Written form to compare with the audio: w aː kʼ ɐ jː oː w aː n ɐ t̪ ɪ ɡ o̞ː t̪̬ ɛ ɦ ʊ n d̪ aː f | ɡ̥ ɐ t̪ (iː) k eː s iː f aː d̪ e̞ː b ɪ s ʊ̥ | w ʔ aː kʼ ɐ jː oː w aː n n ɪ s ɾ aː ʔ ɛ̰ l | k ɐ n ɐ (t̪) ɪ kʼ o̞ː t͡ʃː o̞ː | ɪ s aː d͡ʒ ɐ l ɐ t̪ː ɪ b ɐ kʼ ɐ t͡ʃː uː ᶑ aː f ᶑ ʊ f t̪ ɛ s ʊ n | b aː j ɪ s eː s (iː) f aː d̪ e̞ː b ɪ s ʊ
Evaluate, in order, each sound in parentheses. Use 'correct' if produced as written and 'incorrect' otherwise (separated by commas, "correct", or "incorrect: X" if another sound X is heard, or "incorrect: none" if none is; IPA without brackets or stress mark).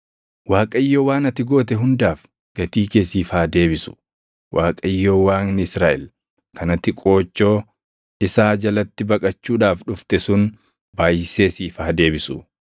correct, correct, correct